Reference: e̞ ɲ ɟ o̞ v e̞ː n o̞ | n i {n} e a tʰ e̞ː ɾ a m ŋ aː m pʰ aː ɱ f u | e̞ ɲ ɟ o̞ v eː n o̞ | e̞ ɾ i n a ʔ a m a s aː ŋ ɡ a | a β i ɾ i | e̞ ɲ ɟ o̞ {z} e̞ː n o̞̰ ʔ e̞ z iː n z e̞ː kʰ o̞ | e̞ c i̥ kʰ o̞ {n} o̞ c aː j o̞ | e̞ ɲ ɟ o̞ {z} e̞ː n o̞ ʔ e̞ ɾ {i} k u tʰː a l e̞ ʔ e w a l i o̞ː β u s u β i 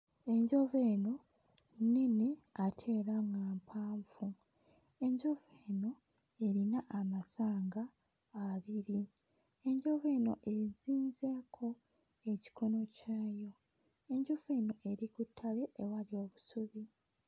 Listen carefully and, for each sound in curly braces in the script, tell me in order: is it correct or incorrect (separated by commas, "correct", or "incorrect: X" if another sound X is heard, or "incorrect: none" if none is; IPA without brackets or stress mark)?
correct, incorrect: v, correct, incorrect: v, correct